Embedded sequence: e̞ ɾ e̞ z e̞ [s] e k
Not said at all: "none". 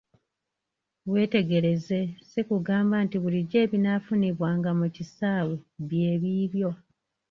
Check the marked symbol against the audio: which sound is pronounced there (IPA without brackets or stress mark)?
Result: s